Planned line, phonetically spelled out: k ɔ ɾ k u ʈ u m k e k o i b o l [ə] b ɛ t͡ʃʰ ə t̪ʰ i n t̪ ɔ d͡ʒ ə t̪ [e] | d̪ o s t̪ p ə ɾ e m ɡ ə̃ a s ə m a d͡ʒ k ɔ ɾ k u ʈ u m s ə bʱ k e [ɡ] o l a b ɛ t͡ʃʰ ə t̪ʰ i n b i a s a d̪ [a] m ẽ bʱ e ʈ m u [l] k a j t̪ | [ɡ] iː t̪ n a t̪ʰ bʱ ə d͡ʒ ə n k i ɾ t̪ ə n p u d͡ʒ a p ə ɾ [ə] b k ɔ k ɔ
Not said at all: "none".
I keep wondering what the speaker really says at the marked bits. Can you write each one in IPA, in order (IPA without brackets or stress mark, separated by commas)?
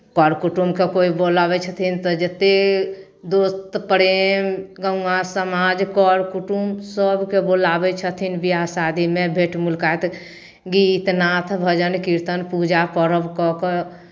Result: a, e, b, i, l, ɡ, ə